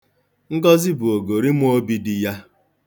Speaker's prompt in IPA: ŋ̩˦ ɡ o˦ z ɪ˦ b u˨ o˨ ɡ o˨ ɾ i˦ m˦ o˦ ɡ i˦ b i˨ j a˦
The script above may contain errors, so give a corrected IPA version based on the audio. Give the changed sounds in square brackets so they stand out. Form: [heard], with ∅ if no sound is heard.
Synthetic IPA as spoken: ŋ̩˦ ɡ [ɔ˦] z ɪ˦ b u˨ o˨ ɡ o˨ ɾ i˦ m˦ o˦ [b] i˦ [d] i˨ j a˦